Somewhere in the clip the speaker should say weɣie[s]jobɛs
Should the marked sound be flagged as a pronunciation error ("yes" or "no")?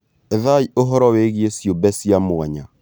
no